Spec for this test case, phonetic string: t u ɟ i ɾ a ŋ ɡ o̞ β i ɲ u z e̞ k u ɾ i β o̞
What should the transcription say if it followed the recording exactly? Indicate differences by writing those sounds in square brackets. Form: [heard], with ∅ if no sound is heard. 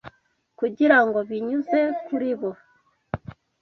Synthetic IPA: [k] u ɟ i ɾ a ŋ ɡ o̞ β i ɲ u z e̞ k u ɾ i β o̞